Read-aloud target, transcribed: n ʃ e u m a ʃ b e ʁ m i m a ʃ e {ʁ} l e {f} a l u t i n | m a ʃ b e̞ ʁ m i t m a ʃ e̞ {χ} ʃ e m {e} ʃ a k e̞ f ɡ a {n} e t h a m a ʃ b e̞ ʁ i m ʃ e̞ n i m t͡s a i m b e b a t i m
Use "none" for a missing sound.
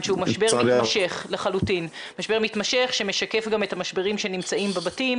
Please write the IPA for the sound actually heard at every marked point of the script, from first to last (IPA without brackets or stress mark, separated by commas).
χ, χ, χ, e, m